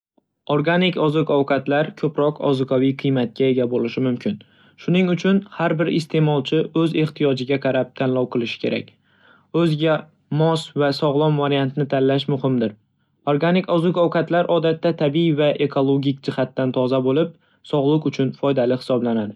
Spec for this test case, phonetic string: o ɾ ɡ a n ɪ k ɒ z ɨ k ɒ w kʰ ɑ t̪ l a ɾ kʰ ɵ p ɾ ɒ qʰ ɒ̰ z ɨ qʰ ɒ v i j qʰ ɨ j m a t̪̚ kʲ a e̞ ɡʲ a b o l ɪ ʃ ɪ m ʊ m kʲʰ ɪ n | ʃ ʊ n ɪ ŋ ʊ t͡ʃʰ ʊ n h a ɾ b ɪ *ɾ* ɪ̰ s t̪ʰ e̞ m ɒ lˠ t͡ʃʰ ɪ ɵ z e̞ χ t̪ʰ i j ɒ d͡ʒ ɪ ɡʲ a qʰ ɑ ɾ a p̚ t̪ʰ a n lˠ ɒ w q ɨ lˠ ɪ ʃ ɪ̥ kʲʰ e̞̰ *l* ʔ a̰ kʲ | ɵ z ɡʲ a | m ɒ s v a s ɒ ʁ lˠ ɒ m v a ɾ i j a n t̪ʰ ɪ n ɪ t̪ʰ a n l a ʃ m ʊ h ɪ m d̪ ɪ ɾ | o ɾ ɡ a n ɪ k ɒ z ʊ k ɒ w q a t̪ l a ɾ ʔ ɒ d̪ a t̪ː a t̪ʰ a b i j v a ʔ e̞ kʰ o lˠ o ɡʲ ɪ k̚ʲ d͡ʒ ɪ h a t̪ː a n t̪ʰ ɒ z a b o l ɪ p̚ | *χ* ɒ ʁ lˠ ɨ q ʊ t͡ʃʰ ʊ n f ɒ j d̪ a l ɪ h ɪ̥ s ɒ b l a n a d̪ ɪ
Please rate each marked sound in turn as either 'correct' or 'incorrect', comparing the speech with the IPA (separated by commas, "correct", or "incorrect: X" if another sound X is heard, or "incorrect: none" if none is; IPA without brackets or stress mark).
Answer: correct, incorrect: ɾ, incorrect: s